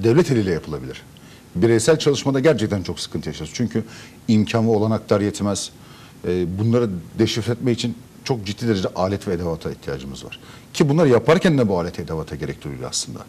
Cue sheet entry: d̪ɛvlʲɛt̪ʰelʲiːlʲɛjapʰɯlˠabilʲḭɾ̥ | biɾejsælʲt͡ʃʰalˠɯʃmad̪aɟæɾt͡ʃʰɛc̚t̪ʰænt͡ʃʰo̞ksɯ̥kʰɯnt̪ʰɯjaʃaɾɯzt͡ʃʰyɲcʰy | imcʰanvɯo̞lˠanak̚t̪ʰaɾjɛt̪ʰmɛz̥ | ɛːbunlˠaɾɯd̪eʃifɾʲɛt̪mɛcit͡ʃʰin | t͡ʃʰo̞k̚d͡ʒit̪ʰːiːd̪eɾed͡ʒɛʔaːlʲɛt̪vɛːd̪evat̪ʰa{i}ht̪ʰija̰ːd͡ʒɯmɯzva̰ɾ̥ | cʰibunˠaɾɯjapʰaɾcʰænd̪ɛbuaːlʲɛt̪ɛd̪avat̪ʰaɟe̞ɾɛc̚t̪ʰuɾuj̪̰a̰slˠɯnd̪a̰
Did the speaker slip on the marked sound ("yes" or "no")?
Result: no